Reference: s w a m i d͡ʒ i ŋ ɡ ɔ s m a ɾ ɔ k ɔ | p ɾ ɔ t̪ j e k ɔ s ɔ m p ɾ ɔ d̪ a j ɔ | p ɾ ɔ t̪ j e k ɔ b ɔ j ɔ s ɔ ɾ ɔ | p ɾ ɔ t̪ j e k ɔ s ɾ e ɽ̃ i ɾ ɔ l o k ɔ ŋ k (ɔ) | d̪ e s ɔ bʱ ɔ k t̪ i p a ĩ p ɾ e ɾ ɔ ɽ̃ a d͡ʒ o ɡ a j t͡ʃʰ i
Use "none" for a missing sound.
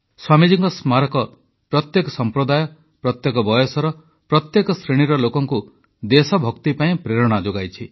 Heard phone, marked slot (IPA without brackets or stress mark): u